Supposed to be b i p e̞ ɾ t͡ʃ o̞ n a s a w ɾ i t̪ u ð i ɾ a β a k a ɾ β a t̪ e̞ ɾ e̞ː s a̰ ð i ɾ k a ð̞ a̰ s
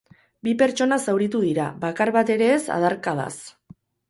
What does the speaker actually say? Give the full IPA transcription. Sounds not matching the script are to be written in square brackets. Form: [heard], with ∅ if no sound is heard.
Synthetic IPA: b i p e̞ ɾ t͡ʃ o̞ n a s a w ɾ i t̪ u ð i ɾ a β a k a ɾ β a t̪ e̞ ɾ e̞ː s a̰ ð [a] ɾ k a ð̞ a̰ s